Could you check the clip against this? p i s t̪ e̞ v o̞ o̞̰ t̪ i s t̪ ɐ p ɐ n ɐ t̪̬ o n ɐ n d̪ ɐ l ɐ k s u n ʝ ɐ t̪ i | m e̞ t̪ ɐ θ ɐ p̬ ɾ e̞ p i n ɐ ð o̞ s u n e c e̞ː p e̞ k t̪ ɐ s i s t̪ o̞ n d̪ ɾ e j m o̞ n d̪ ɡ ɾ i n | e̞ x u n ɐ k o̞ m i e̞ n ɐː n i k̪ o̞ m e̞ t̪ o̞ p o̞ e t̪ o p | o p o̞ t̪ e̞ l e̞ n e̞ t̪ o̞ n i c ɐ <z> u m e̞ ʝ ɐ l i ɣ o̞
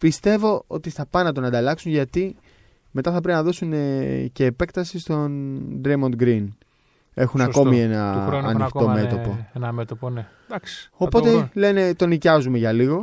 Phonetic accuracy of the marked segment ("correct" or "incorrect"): correct